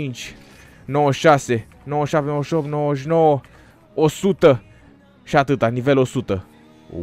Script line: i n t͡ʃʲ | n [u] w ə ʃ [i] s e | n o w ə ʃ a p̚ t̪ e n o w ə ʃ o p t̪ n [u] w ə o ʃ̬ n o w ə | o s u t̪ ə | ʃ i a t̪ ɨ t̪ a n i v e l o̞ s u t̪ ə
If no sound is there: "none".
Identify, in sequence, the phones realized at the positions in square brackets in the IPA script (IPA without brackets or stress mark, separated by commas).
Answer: o, a, o